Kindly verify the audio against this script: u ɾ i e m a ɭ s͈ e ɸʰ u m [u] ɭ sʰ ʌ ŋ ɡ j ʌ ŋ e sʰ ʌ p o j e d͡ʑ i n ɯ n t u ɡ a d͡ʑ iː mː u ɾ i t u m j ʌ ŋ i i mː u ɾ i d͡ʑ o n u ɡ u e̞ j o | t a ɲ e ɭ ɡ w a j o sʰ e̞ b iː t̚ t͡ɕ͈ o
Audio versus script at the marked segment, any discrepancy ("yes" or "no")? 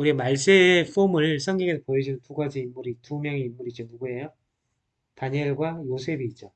yes